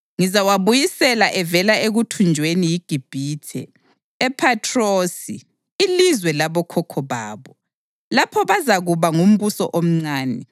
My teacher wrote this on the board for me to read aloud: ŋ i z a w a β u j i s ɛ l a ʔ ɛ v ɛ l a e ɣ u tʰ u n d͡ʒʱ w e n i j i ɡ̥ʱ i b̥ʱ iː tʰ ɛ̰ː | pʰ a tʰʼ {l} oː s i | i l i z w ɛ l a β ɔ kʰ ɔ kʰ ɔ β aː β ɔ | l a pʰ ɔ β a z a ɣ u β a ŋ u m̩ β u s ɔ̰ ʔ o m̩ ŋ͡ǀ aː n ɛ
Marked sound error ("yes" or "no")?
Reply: yes